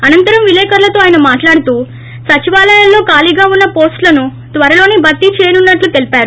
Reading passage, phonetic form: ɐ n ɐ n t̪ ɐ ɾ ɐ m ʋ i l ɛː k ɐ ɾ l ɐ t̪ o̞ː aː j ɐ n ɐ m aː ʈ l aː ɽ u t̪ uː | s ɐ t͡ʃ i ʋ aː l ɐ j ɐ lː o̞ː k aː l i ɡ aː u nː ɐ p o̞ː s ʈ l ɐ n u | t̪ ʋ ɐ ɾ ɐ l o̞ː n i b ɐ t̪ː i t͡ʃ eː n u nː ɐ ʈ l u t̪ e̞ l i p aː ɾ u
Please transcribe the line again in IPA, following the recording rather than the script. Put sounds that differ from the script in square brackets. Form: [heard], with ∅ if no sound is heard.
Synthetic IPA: ɐ n ɐ n t̪ ɐ ɾ ɐ m ʋ i l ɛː k ɐ ɾ l ɐ t̪ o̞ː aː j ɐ n ɐ m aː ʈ l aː ɽ u t̪ uː | s ɐ t͡ʃ i ʋ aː l ɐ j ɐ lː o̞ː k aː l i ɡ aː u nː ɐ p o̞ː s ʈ l ɐ n u | t̪ ʋ ɐ ɾ ɐ l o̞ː n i b ɐ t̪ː i t͡ʃ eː n u nː ɐ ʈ l u t̪ e̞ l i p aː ɾ u